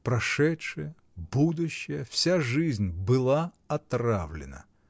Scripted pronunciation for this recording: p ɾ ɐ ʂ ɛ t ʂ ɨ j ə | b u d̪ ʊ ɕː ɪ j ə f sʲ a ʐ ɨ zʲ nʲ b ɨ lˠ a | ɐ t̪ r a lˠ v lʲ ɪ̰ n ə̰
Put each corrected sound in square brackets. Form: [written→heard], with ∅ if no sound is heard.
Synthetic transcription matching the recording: p ɾ ɐ ʂ ɛ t ʂ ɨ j ə | b u d̪ ʊ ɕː ɪ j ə f sʲ a ʐ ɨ zʲ nʲ b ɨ lˠ a | ɐ t̪ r a [lˠ→∅] v lʲ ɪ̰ n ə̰